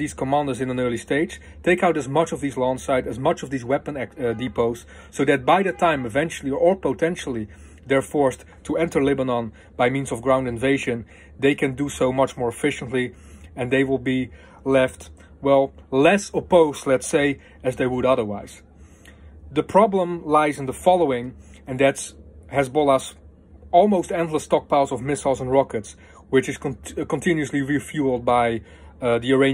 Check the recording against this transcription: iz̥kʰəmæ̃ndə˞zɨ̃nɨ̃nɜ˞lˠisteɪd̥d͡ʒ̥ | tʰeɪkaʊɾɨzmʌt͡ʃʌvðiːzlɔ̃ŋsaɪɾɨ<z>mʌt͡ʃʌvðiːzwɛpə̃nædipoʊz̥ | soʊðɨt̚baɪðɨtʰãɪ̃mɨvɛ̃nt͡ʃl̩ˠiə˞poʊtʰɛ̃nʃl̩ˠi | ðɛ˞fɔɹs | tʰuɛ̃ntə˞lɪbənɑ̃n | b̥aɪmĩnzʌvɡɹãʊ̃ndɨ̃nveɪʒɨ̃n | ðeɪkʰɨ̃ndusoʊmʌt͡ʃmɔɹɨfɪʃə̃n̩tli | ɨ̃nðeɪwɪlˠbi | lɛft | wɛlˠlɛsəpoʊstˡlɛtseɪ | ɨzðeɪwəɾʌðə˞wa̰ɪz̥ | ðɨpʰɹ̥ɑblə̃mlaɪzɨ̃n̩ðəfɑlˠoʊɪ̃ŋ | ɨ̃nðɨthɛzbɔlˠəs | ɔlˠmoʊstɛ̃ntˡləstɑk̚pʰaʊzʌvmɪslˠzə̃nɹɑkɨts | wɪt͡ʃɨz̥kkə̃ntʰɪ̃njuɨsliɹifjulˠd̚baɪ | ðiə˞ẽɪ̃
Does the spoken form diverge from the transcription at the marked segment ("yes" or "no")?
no